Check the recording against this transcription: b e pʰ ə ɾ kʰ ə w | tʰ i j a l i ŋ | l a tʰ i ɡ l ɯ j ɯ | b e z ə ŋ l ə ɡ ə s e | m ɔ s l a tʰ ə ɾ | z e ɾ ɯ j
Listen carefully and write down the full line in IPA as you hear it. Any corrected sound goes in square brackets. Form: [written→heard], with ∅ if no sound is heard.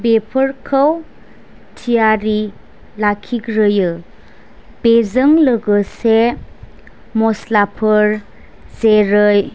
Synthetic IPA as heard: b e pʰ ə ɾ kʰ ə w | tʰ i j a [l→ɾ] i [ŋ→∅] | l a [tʰ→kʰ] i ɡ [l→ɾ] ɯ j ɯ | b e z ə ŋ l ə ɡ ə s e | m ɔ s l a [tʰ→pʰ] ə ɾ | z e ɾ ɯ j